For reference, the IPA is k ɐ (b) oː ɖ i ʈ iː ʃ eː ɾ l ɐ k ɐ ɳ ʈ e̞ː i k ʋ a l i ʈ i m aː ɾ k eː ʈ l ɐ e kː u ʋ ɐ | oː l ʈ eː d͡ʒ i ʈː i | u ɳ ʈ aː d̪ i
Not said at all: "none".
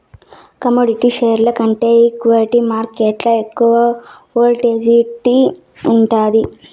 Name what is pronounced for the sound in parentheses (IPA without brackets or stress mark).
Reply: m